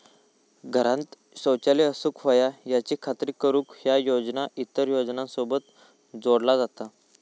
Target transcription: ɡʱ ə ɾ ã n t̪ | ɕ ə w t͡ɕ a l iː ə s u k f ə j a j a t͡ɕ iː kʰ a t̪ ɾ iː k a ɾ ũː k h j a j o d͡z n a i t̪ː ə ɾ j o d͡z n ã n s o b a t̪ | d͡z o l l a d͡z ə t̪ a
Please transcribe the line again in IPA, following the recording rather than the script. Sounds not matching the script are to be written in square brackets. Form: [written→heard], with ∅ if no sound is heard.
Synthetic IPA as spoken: ɡʱ ə ɾ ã n t̪ | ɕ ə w t͡ɕ a l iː ə s u k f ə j a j a t͡ɕ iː kʰ a t̪ ɾ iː k [a→ə] ɾ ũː k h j a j o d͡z n a i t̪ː ə ɾ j o d͡z n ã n s o b [a→ə] t̪ | d͡z o [l→ɽ] l a d͡z [ə→a] t̪ a